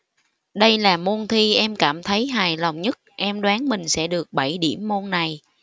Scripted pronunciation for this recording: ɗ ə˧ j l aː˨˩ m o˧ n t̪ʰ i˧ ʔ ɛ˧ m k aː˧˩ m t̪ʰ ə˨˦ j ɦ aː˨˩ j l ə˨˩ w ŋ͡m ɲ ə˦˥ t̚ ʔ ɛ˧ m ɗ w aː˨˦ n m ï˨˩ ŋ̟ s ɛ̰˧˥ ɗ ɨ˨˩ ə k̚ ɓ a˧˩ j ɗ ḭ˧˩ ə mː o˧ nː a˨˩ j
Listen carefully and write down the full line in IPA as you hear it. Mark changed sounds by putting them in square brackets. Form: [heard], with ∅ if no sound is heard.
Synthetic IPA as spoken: ɗ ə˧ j l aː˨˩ m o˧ n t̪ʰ i˧ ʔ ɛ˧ m k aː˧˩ m t̪ʰ ə˨˦ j ɦ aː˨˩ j l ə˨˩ w ŋ͡m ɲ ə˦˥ t̚ ʔ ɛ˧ m ɗ w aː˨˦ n m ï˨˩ ŋ̟ s ɛ̰˧˥ ɗ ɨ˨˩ ə k̚ ɓ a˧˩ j ɗ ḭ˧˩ ə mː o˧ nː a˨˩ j

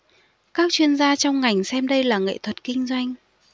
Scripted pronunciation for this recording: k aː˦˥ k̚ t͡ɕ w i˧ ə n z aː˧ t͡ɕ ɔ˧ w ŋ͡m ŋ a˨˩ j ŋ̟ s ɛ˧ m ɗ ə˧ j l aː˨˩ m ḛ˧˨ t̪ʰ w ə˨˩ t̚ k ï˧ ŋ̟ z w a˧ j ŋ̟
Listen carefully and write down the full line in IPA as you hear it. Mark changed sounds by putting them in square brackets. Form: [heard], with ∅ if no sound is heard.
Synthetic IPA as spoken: k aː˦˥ k̚ t͡ɕ w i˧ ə n z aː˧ t͡ɕ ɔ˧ w ŋ͡m ŋ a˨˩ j ŋ̟ s ɛ˧ m ɗ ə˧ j l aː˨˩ [ŋ] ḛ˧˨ t̪ʰ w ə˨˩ t̚ k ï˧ ŋ̟ z w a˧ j ŋ̟

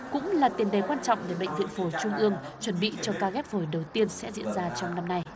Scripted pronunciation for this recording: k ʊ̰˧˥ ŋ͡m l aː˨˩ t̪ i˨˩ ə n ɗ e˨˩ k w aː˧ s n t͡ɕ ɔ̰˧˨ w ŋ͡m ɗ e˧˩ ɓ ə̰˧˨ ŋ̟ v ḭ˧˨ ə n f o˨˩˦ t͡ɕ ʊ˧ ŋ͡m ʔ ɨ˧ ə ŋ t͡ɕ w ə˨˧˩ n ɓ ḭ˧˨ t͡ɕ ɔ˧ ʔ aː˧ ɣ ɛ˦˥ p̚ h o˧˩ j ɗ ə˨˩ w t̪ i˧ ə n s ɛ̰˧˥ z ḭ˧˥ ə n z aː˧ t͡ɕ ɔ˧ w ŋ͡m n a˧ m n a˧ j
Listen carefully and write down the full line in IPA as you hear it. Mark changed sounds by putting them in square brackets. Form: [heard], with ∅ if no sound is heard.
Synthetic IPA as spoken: k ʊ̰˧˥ ŋ͡m l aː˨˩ t̪ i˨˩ ə n ɗ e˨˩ k w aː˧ [∅] n t͡ɕ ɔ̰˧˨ w ŋ͡m ɗ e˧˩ ɓ ə̰˧˨ ŋ̟ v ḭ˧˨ ə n f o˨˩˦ t͡ɕ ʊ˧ ŋ͡m ʔ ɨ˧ ə ŋ t͡ɕ w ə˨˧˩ n ɓ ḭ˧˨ t͡ɕ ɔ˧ [k] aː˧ ɣ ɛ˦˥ p̚ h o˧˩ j ɗ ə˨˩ w t̪ i˧ ə n s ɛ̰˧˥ z ḭ˧˥ ə n z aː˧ t͡ɕ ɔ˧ w ŋ͡m n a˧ m n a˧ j

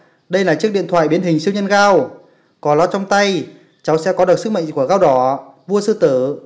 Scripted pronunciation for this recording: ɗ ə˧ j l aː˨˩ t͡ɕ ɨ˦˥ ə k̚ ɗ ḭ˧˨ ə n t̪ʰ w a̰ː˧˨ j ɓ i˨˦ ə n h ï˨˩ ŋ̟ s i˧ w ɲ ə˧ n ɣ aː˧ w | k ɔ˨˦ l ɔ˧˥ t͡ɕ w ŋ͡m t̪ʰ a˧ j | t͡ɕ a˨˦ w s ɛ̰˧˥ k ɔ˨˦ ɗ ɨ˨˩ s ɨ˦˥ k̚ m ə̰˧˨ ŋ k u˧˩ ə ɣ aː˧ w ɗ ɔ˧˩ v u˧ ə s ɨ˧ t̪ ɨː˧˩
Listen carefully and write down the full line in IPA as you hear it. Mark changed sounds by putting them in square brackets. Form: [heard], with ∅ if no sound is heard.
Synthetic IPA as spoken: ɗ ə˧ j l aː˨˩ t͡ɕ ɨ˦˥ ə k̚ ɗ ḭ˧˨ ə n t̪ʰ w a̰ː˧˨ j ɓ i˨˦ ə n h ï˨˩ ŋ̟ s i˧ w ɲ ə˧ n ɣ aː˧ w | k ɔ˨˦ l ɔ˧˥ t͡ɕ w ŋ͡m [t̪] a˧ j | t͡ɕ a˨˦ w s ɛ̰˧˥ k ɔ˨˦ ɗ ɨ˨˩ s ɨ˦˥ k̚ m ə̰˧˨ ŋ k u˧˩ ə ɣ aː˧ w ɗ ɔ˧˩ v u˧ ə s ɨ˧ t̪ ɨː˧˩

